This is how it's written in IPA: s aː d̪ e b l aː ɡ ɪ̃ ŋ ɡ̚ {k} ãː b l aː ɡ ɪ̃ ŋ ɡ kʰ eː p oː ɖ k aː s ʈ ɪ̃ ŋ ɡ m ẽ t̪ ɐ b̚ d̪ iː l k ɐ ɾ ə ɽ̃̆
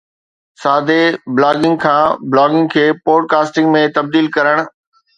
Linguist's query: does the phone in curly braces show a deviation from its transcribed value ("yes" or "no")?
yes